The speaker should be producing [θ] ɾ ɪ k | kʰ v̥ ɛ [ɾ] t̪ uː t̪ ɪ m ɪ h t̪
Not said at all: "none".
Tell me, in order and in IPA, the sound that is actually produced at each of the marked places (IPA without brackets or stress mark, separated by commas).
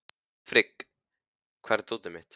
f, ɾ